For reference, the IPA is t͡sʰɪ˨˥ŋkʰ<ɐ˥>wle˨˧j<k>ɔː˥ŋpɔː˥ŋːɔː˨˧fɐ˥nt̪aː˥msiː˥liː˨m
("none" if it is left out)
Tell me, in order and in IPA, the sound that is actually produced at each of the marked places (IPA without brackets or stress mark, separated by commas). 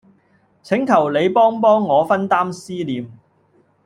ɐ˨˩, p